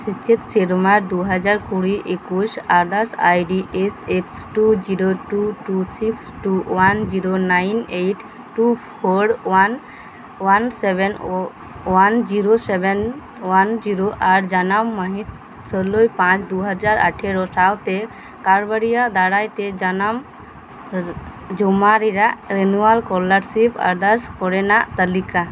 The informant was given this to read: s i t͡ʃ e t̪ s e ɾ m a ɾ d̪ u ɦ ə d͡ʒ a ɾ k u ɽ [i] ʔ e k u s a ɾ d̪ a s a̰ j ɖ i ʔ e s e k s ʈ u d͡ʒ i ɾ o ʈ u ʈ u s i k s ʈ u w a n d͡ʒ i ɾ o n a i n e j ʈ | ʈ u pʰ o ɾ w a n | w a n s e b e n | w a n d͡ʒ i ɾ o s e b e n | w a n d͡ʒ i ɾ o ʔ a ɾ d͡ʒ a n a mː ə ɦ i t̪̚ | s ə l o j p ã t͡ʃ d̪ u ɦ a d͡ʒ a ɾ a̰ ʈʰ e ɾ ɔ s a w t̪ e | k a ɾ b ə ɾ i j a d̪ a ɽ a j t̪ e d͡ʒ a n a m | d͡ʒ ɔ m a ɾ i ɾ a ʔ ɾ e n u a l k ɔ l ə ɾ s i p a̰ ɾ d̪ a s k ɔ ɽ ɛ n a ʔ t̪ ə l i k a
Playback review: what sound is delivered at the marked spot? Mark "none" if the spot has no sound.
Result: i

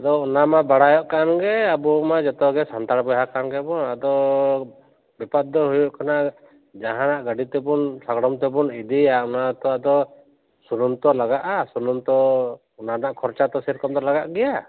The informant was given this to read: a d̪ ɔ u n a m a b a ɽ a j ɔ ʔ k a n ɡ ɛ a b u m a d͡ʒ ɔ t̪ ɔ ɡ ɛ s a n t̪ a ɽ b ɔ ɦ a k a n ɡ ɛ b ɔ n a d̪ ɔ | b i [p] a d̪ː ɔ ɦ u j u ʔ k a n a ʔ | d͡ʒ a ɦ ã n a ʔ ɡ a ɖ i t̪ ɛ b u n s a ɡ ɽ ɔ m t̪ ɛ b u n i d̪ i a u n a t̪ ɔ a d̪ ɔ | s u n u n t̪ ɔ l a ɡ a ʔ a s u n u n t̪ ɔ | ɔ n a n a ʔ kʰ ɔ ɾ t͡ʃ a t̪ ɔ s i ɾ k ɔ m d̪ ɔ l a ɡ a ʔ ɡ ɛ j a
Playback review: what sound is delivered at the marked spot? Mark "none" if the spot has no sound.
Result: p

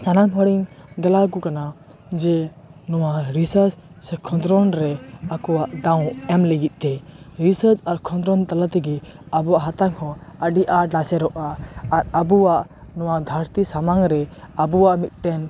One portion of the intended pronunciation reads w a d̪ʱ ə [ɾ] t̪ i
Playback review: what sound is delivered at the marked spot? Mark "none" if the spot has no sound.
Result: ɾ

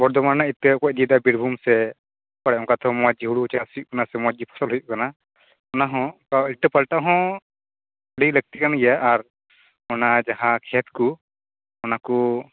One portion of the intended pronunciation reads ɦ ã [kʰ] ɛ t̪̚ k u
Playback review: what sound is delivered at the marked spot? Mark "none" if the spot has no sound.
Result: kʰ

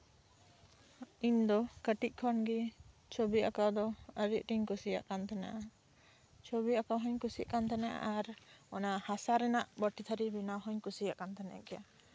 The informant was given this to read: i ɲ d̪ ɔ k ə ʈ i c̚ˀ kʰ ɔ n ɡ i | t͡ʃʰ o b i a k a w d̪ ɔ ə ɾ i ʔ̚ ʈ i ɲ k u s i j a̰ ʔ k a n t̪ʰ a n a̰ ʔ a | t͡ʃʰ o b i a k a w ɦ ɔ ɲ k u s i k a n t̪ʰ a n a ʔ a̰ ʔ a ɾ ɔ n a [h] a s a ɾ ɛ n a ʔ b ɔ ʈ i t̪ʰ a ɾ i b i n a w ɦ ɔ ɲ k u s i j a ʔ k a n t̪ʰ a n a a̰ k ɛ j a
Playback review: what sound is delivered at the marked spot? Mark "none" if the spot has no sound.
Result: h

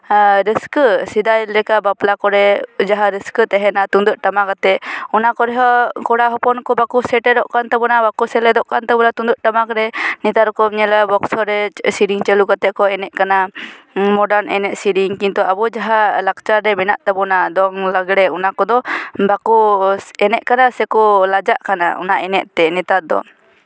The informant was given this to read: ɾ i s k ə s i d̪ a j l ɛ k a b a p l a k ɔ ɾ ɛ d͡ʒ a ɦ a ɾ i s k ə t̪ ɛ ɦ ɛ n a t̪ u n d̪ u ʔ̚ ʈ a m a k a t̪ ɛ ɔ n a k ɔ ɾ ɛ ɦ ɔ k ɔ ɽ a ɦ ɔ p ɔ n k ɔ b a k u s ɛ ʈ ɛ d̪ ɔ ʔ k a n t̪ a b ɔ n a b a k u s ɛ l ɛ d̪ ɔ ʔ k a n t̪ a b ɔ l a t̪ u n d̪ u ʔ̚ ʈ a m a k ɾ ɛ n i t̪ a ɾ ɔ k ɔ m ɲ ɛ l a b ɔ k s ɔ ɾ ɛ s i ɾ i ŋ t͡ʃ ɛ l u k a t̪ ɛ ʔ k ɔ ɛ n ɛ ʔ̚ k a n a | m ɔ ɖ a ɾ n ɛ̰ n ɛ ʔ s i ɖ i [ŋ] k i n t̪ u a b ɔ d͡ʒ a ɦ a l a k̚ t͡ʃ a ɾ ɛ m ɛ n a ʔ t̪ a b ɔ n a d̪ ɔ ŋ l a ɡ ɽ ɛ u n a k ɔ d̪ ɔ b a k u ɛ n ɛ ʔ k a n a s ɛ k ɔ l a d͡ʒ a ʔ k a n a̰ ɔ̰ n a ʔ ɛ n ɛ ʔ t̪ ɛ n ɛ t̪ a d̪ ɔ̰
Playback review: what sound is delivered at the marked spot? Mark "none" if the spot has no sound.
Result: ŋ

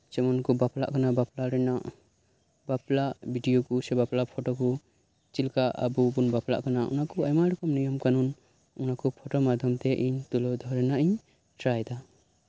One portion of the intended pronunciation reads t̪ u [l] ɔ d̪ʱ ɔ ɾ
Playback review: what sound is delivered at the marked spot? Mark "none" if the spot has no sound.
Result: l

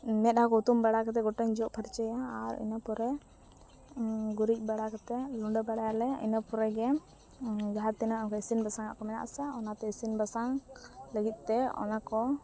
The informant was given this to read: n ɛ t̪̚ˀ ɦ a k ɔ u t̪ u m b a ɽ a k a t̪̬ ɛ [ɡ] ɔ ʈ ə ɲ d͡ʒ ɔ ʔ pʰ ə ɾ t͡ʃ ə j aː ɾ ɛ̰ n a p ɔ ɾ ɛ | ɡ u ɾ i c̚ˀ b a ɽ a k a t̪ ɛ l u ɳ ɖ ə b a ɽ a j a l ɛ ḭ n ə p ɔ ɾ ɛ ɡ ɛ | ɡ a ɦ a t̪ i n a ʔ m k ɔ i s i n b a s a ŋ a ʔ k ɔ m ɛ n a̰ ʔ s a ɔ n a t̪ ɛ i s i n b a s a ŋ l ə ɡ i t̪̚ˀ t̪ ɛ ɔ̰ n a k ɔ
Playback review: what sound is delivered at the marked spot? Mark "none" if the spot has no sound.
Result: ɡ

